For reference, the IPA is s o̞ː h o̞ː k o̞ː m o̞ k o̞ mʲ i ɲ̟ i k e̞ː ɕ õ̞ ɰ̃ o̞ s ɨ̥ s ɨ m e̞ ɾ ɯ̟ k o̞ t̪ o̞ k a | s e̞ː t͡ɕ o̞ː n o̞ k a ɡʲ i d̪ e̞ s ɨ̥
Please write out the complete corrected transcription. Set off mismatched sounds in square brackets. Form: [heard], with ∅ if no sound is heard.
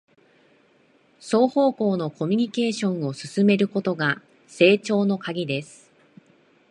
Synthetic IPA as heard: s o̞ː h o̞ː k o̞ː [n] o̞ k o̞ mʲ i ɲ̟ i k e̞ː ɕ õ̞ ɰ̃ o̞ s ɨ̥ s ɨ m e̞ ɾ ɯ̟ k o̞ t̪ o̞ [ɡ] a | s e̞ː t͡ɕ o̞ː n o̞ k a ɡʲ i d̪ e̞ s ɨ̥